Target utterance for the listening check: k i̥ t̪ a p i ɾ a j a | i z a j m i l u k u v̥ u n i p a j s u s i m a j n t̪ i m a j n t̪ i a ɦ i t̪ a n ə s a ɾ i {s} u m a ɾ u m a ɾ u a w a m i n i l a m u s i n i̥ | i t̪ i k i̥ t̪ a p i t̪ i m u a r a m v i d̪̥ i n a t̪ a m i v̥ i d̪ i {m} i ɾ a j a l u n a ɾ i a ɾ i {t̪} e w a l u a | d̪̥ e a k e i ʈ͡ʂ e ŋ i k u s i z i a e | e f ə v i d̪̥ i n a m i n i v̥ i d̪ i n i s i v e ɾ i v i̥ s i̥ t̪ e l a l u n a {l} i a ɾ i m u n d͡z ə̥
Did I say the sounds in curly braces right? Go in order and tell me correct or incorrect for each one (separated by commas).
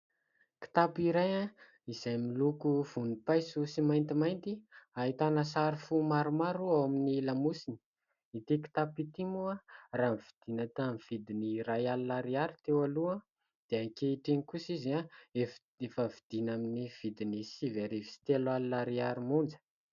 incorrect, incorrect, correct, incorrect